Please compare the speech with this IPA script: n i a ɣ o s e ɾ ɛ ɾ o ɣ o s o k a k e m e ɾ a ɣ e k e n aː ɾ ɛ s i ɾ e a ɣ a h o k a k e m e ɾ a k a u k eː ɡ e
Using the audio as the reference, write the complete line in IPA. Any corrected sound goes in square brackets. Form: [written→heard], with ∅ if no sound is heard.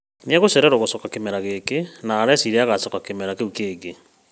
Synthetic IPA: n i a ɣ o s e ɾ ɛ ɾ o ɣ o s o k a k e m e ɾ a ɣ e k e n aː ɾ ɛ s i ɾ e a ɣ a [h→s] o k a k e m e ɾ a k [a→e] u k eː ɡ e